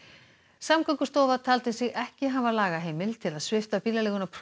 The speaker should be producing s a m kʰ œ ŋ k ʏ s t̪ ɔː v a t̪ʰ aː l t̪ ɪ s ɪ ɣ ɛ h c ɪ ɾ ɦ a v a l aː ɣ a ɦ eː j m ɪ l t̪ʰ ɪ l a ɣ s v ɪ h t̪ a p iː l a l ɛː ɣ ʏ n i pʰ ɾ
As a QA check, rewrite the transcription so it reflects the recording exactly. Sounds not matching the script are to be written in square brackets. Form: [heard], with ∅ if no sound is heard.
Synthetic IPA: s a m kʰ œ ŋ k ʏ s t̪ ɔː v a t̪ʰ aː l t̪ ɪ s ɪ ɣ ɛ h c ɪ [∅] ɦ a v a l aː ɣ a ɦ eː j m ɪ l t̪ʰ ɪ l a [ð] s v ɪ [f] t̪ a p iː l a l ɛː ɣ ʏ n [a] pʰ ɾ

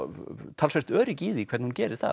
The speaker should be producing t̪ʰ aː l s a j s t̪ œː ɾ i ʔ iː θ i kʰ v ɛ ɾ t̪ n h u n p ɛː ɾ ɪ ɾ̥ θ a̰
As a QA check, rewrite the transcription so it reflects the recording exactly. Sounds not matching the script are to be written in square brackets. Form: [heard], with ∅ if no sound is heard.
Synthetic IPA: t̪ʰ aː l s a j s t̪ œː ɾ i [c] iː [ð] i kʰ v ɛ ɾ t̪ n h u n [c] ɛː ɾ ɪ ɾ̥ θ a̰

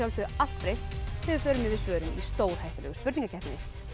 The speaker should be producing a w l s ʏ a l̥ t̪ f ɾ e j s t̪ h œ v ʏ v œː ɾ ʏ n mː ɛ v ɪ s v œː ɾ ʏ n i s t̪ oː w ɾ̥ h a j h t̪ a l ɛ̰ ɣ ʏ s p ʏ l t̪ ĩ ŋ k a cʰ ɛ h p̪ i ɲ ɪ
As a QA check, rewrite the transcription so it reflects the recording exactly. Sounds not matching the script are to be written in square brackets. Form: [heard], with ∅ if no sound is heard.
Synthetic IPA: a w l s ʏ a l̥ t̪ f ɾ e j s t̪ h [ɛ] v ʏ [f] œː ɾ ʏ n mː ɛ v ɪ s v œː ɾ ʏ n i s t̪ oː w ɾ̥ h a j h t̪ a l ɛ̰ ɣ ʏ s p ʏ [ɾ] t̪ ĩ ŋ k a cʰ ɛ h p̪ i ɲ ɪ

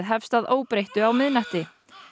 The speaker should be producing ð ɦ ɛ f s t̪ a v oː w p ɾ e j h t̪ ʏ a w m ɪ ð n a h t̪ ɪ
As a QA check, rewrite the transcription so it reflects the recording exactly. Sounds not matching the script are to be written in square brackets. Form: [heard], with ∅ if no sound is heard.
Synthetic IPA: ð ɦ ɛ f s t̪ a [ð] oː w p ɾ e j h t̪ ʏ a w m ɪ ð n a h t̪ ɪ

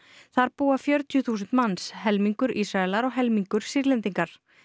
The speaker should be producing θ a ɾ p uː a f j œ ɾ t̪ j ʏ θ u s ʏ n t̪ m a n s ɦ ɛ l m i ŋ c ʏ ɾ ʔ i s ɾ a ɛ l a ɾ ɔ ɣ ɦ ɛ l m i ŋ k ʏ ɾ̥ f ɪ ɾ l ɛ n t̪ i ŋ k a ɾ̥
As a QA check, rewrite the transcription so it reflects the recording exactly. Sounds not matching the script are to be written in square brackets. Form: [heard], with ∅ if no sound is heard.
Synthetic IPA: θ a ɾ p uː a f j œ ɾ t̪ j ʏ θ [uː] s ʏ n t̪ m a n s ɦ ɛ l m i ŋ [k] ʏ ɾ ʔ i s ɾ a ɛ l a ɾ ɔ ɣ ɦ ɛ l m i ŋ k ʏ ɾ̥ [s] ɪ ɾ l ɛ n t̪ i ŋ k a ɾ̥

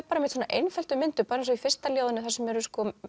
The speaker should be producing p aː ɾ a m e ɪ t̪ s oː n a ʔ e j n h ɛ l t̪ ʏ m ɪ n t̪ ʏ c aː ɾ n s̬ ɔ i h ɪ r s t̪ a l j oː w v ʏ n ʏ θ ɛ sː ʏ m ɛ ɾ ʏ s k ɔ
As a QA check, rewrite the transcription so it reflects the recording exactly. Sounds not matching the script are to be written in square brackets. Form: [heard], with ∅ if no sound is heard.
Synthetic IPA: p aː ɾ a m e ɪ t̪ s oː n a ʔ e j n [f] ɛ l t̪ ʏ m ɪ n t̪ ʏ [p] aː ɾ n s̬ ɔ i [f] ɪ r s t̪ a l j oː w [ð] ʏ n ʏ θ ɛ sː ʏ m ɛ ɾ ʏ s k ɔ

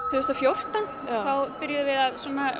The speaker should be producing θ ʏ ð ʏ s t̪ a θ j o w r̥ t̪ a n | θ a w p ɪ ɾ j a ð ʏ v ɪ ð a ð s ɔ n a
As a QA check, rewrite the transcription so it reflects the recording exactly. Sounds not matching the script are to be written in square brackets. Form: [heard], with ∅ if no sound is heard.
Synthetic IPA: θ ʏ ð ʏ s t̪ a [f] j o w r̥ t̪ a n | θ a w p ɪ ɾ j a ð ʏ v ɪ ð a ð s ɔ n a

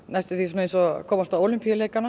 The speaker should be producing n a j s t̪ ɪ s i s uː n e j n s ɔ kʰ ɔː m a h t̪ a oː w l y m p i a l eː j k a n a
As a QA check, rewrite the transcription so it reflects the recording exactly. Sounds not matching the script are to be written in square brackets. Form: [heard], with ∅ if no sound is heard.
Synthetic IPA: n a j s t̪ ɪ [θ] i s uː n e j n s ɔ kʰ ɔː m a [s] t̪ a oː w l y m p i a l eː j k a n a

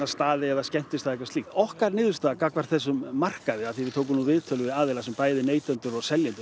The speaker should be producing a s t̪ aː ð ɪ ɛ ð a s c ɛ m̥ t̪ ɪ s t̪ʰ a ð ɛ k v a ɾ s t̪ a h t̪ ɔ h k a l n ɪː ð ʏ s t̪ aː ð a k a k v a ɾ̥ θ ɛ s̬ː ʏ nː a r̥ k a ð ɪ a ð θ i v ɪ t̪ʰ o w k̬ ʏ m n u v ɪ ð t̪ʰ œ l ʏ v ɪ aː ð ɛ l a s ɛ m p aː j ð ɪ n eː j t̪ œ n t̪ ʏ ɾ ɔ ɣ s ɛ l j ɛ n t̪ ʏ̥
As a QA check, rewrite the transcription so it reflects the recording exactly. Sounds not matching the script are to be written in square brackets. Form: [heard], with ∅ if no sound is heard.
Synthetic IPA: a s t̪ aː ð ɪ ɛ ð a s c ɛ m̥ t̪ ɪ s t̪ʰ a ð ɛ k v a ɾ s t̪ [i] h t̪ ɔ h k a [ɾ] n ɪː ð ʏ s t̪ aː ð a k a k v a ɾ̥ θ ɛ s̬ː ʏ [mː] a r̥ k a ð ɪ a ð θ i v ɪ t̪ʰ o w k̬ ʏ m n u v ɪ ð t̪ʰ œ l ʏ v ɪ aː ð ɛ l a s ɛ m p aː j ð ɪ n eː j t̪ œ n t̪ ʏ ɾ ɔ ɣ s ɛ l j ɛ n t̪ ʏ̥

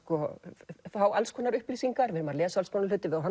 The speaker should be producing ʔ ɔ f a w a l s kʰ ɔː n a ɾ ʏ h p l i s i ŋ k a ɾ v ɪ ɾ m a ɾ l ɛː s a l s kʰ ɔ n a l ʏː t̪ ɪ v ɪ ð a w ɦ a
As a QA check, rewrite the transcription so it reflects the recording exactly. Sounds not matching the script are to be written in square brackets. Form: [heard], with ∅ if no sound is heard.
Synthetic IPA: [k] ɔ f a w a l s kʰ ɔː n a ɾ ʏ h p l i s i ŋ k a ɾ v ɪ ɾ m a ɾ l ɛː s a l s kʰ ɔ n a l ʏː t̪ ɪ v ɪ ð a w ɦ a

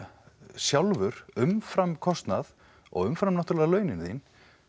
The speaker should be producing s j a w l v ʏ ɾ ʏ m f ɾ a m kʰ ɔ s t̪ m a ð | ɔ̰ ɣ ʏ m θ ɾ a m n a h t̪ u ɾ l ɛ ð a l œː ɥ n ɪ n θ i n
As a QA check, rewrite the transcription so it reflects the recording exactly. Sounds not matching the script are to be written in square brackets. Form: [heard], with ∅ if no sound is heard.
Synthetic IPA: s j a w l v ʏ ɾ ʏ m f ɾ a m kʰ ɔ s t̪ [n] a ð | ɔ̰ ɣ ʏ m [f] ɾ a m n a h t̪ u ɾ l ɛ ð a l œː ɥ n ɪ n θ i n

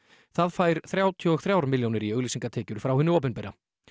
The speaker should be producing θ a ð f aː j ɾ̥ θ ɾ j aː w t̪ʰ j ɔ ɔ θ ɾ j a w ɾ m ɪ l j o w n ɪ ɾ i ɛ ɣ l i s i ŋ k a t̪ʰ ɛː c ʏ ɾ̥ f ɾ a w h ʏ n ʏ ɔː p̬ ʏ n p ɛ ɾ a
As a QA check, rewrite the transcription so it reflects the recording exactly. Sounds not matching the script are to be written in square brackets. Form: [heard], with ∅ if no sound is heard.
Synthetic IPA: θ a ð f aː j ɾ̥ θ ɾ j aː w t̪ʰ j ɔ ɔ θ ɾ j a w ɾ m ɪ l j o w n ɪ ɾ i [œ] ɣ l i s i ŋ k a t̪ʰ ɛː c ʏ ɾ̥ f ɾ a w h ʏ n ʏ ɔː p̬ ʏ n p ɛ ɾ a

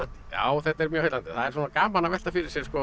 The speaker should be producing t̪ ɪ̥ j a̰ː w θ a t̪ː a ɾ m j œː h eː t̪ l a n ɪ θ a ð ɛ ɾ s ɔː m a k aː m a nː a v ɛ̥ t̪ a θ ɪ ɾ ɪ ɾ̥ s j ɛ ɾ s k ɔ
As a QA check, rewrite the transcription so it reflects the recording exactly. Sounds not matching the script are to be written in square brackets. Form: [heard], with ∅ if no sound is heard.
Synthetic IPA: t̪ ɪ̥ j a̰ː w θ [ɛ] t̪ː [ɛ] ɾ m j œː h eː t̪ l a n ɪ θ a ð ɛ ɾ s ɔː [n] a k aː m a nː a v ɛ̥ t̪ a [f] ɪ ɾ ɪ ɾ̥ s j ɛ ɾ s k ɔ

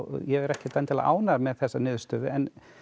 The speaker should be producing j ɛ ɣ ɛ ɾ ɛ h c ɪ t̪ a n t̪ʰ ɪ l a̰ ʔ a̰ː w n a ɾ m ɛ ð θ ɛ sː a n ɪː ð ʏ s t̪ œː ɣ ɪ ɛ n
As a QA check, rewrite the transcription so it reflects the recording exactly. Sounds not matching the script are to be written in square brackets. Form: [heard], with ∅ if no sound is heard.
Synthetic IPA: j ɛ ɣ ɛ ɾ ɛ h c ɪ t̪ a n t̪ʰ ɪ l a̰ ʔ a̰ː w n a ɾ m ɛ ð θ ɛ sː a n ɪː ð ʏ s t̪ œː [ð] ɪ ɛ n

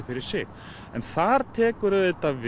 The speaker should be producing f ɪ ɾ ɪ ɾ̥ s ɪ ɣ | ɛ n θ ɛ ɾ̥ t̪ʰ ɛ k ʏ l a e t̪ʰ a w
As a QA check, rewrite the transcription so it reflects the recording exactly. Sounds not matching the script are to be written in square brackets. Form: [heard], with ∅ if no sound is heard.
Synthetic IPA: f ɪ ɾ ɪ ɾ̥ s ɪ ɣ | ɛ n θ [a] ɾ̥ t̪ʰ [ɛː] k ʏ [ɾ] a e [t̪] a [v]

